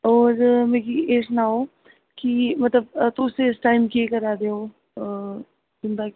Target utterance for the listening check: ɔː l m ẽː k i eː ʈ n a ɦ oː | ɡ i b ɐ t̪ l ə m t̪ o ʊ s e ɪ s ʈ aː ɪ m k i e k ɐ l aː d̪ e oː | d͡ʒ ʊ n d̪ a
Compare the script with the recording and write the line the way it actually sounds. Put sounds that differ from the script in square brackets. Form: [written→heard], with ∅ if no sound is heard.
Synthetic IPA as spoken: ɔː [l→ɾ] m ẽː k i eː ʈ n a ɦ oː | [ɡ→k] i [b→m] ɐ t̪ l ə [m→b] t̪ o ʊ s e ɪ s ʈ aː ɪ m k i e k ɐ [l→ɾ] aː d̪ e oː | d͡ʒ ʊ n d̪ a

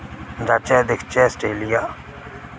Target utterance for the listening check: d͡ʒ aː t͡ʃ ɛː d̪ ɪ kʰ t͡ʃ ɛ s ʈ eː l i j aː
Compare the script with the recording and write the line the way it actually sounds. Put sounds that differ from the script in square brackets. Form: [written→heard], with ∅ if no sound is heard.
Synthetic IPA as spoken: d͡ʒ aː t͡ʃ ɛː d̪ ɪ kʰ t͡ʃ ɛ s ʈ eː l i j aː

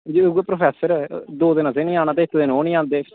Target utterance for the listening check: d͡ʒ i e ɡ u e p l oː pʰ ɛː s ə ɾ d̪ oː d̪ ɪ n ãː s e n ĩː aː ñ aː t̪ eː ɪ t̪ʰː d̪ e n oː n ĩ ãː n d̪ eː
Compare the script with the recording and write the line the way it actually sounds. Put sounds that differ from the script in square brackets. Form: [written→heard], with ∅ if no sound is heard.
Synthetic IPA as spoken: d͡ʒ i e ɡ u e p [l→ɾ] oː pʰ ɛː s ə ɾ d̪ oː d̪ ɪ n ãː s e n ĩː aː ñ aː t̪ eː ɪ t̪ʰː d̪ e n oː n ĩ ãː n d̪ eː

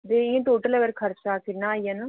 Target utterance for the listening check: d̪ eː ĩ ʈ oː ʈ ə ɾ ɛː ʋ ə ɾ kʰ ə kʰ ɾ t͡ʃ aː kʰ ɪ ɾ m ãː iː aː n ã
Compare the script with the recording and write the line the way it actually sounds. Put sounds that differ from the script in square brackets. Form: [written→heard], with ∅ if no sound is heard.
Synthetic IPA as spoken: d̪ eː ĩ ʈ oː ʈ ə [ɾ→l] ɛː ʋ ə ɾ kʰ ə [kʰ→∅] ɾ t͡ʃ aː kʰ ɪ ɾ [m→n] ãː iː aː n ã

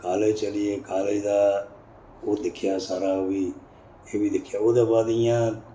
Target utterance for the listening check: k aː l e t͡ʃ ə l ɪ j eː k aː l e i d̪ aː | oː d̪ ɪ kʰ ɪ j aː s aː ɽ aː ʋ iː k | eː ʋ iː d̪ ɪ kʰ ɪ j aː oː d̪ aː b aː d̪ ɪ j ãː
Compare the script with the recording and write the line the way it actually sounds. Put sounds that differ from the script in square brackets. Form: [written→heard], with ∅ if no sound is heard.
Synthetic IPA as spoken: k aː l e t͡ʃ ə l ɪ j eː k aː l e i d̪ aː | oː d̪ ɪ kʰ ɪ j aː s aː [ɽ→ɾ] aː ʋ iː [k→∅] | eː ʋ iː d̪ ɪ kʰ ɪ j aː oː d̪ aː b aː d̪ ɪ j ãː

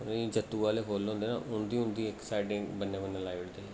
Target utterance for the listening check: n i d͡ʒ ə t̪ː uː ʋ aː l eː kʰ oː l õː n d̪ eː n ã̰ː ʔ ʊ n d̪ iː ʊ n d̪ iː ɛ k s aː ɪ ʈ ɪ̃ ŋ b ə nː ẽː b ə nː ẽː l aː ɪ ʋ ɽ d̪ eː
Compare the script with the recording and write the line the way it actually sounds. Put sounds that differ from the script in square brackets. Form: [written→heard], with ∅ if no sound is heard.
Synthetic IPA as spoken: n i d͡ʒ ə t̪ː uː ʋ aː l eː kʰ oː l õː n d̪ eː n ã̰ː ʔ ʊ n d̪ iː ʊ n d̪ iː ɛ k s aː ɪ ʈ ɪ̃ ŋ b ə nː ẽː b ə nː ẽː l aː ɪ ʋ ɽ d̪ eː

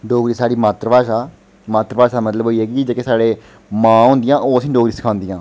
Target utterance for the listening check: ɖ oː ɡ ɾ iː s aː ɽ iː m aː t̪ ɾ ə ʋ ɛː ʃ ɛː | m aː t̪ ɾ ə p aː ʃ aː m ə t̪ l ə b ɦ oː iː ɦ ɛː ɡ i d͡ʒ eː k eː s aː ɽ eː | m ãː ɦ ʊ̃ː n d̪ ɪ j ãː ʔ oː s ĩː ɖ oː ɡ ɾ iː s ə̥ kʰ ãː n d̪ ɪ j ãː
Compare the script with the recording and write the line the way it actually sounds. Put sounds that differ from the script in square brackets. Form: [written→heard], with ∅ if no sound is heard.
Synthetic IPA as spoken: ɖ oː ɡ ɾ iː s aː ɽ iː m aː t̪ ɾ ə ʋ [ɛː→aː] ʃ [ɛː→aː] | m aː t̪ ɾ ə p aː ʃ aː m ə t̪ l ə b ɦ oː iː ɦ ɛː ɡ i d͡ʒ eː k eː s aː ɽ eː | m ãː ɦ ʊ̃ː n d̪ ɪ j ãː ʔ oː s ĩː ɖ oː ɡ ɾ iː s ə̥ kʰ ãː n d̪ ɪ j ãː

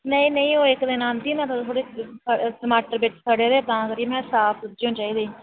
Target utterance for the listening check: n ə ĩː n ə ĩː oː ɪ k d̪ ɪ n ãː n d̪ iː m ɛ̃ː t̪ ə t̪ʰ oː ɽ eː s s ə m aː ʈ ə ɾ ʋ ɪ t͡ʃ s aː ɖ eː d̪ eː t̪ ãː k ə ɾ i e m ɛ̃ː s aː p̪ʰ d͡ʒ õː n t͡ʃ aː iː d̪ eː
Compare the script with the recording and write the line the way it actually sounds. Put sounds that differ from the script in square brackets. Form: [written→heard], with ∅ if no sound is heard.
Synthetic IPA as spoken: n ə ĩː n ə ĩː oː ɪ k d̪ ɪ n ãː n d̪ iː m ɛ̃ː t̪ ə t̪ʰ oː ɽ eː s s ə m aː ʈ ə ɾ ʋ ɪ t͡ʃ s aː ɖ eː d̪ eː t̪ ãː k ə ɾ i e m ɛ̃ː s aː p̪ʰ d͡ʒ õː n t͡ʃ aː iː d̪ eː

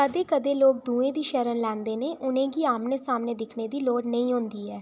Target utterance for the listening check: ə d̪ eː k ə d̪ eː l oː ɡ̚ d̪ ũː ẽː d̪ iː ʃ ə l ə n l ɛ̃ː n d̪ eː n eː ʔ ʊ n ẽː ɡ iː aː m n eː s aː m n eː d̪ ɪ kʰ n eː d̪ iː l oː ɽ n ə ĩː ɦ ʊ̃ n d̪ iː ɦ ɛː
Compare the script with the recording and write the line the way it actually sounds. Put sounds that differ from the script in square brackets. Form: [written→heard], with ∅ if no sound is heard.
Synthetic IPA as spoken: ə d̪ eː k ə d̪ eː l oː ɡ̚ d̪ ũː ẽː d̪ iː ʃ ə [l→ɾ] ə n l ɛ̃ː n d̪ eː n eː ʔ ʊ n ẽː ɡ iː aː m n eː s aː m n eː d̪ ɪ kʰ n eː d̪ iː l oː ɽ n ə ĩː ɦ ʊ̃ n d̪ iː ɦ ɛː

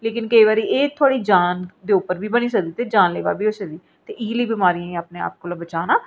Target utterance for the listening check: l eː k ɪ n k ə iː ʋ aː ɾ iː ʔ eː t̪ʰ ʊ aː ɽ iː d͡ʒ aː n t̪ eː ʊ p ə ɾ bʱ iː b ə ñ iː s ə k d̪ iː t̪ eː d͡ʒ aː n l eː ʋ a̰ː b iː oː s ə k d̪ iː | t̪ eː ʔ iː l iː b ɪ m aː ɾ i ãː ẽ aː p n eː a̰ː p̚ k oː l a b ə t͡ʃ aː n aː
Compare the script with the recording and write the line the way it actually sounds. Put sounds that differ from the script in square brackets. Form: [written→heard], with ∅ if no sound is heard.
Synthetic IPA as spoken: l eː k ɪ n k ə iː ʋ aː ɾ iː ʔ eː t̪ʰ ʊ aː ɽ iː d͡ʒ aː n [t̪→d̪] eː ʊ p ə ɾ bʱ iː b ə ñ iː s ə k d̪ iː t̪ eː d͡ʒ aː n l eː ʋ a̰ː b iː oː s ə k d̪ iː | t̪ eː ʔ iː l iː b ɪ m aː ɾ i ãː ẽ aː p n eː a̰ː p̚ k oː l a b ə t͡ʃ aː n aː

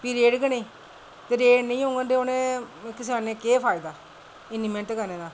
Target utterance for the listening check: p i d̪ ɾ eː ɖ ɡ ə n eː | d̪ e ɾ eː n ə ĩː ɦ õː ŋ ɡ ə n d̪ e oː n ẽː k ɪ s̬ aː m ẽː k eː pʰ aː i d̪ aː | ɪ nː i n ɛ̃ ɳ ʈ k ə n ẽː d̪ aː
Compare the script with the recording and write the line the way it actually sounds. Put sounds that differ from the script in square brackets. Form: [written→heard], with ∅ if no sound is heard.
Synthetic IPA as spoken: p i [d̪→∅] ɾ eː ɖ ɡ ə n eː | [d̪→t̪] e ɾ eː n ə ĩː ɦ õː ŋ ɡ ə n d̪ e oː n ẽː k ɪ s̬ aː [m→n] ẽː k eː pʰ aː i d̪ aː | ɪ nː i [n→m] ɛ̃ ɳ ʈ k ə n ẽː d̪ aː

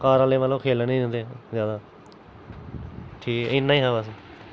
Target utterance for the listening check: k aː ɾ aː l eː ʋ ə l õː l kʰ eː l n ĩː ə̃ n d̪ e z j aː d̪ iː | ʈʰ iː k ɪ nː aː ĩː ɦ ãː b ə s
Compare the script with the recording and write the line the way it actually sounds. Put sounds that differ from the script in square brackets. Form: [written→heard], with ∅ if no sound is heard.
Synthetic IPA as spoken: k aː ɾ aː l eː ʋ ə l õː [l→∅] kʰ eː l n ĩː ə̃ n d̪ e z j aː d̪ [iː→aː] | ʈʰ iː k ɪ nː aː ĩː ɦ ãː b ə s

